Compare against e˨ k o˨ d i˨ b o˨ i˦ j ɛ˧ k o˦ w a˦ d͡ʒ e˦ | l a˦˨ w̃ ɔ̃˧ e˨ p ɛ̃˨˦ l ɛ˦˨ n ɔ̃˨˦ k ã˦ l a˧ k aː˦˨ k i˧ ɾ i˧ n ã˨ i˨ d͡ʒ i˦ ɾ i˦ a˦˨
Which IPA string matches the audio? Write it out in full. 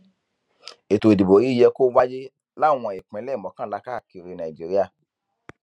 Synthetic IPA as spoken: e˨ t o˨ d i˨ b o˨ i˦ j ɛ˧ k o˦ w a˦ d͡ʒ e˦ | l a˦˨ w̃ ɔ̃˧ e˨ k͡p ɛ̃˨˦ l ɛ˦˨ m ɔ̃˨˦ k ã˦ l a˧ k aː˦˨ k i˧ ɾ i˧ n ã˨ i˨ d͡ʒ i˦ ɾ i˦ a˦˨